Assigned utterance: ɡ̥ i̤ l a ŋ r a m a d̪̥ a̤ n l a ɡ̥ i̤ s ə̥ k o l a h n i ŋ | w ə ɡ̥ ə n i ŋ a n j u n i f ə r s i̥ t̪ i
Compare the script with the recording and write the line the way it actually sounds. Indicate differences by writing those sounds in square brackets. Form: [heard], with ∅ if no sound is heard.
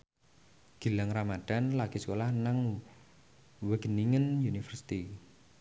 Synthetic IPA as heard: ɡ̥ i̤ l a ŋ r a m a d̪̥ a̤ n l a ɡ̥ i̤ s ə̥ k o l a h n [a] ŋ | w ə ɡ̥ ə n i ŋ [ə] n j u n i f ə r s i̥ t̪ i